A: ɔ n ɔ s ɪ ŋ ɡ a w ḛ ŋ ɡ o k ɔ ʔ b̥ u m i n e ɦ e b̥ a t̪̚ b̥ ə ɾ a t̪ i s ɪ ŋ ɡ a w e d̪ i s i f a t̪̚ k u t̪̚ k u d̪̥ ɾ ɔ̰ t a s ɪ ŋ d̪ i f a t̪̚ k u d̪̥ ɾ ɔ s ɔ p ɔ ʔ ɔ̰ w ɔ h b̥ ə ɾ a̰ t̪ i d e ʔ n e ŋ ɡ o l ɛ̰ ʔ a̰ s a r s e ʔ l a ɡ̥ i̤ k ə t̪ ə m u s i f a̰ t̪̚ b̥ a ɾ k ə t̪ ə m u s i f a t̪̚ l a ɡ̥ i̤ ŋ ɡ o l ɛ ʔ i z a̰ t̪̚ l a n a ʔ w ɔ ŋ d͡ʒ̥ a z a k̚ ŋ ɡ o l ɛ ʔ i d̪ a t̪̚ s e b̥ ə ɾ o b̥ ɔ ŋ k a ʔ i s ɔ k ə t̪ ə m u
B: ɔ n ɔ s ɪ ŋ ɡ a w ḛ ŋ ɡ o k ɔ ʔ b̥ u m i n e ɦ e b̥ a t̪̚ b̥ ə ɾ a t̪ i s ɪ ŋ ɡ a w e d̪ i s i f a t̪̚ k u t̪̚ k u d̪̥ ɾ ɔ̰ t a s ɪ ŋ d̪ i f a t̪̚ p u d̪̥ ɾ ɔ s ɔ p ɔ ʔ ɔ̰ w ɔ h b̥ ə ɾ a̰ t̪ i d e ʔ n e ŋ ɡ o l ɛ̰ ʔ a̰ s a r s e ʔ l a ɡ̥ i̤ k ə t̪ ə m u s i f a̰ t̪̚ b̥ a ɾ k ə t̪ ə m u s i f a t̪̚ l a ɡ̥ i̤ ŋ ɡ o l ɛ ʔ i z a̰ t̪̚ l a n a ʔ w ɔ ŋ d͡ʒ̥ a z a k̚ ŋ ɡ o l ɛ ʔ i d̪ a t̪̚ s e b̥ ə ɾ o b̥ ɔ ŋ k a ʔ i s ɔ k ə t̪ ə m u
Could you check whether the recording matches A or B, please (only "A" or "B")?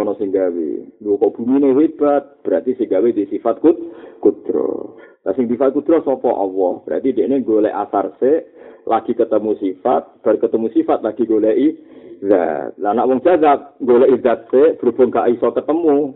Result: A